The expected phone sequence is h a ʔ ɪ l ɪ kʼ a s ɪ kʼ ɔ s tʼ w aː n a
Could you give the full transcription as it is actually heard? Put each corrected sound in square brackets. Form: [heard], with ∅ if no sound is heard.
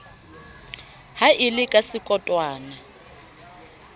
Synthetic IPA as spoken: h a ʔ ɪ l ɪ kʼ a s ɪ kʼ ɔ [∅] tʼ w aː n a